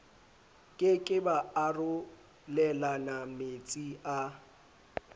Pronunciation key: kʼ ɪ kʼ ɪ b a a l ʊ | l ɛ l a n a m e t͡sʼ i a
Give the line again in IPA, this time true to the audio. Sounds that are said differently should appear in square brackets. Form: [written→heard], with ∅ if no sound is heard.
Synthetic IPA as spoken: kʼ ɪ kʼ ɪ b a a [l→r] ʊ | l ɛ l a n a m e t͡sʼ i a

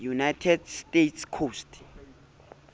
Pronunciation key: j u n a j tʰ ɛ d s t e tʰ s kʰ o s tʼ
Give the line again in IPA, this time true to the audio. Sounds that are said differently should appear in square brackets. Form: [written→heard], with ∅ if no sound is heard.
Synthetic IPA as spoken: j u n a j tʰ ɛ d s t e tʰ s kʰ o s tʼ

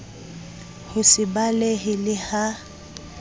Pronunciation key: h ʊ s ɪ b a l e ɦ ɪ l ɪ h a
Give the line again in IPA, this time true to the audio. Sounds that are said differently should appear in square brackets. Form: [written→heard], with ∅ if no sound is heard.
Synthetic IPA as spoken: h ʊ s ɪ b a l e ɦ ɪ l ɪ h a

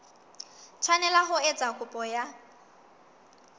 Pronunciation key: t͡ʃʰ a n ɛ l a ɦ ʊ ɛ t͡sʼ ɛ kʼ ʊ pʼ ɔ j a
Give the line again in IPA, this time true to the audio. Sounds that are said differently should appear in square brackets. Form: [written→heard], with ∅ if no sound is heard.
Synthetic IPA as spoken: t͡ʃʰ a n ɛ l a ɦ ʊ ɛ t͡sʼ [ɛ→a] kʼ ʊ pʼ ɔ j a

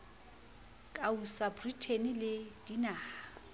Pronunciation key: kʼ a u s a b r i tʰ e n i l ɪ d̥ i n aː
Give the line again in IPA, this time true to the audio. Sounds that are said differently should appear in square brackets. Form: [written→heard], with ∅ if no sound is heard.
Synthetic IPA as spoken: kʼ a u s a b r i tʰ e n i l ɪ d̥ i n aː

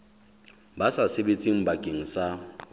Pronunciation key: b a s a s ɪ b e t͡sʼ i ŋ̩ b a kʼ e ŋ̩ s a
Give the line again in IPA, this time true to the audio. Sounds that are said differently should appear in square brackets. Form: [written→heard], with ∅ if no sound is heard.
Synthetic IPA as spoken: b a s a s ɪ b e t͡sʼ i ŋ̩ b a kʼ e ŋ̩ s a

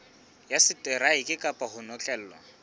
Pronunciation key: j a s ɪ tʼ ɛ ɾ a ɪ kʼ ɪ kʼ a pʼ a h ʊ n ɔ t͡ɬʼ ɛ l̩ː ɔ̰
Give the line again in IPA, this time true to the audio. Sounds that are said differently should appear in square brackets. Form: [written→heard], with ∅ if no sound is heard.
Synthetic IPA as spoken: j a s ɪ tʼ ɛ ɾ a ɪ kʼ ɪ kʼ a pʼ a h ʊ n ɔ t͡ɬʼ ɛ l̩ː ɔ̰

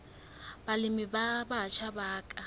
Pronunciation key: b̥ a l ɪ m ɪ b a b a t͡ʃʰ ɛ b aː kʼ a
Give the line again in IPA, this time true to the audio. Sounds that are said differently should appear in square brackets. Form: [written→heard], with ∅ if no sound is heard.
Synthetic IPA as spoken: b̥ a l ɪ m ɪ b a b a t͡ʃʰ [ɛ→a] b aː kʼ a

